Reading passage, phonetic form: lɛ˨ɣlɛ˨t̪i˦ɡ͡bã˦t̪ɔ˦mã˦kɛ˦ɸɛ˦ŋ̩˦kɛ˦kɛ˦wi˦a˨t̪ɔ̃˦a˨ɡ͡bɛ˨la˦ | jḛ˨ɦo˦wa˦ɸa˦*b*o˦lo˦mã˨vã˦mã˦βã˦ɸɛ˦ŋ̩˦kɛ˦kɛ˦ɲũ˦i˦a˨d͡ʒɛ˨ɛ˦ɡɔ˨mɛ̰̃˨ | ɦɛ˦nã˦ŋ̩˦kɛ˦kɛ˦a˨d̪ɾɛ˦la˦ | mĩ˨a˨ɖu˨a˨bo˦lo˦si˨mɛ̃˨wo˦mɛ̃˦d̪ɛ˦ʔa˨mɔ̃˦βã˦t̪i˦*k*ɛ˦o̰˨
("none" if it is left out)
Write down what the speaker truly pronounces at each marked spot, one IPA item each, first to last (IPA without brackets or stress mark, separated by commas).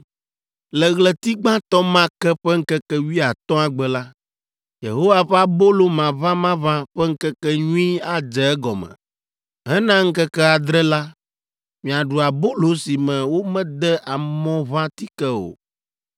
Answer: b, k